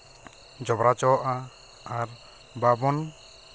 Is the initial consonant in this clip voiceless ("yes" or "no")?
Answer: no